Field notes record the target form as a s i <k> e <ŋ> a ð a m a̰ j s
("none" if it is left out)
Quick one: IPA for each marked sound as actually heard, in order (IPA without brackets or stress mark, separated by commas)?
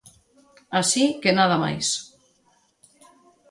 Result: k, n